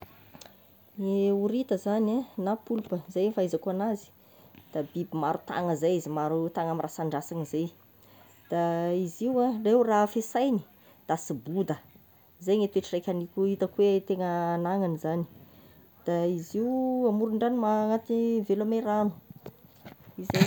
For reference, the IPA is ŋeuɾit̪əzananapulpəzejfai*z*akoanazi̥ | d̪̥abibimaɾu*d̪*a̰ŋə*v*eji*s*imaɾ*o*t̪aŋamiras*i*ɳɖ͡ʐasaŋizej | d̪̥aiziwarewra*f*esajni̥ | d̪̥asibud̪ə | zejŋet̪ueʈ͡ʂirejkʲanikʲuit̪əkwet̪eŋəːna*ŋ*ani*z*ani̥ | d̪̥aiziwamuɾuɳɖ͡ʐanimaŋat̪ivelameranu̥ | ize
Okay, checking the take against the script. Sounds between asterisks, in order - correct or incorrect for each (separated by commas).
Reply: correct, incorrect, incorrect, incorrect, incorrect, incorrect, correct, correct, correct